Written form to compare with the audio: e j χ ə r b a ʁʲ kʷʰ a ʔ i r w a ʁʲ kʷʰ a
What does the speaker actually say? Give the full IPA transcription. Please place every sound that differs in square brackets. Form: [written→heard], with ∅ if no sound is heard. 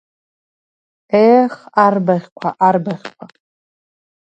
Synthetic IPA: e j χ [ə→a] r b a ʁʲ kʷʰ a ʔ [i→a] r [w→b] a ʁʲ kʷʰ a